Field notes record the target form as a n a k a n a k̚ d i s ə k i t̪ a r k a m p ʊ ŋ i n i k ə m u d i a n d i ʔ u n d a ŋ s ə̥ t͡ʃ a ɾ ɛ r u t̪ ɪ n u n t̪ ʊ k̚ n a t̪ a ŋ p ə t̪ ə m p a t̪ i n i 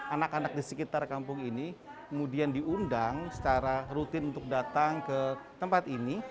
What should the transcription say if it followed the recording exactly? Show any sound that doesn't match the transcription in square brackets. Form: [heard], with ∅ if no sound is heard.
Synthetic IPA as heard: a n a k a n a k̚ d i s ə k i t̪ a r k a m p ʊ ŋ i n i k ə m u d i a n d i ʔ u n d a ŋ s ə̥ t͡ʃ a ɾ [a] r u t̪ ɪ n u n t̪ ʊ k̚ [d] a t̪ a ŋ [k] ə t̪ ə m p a t̪ i n i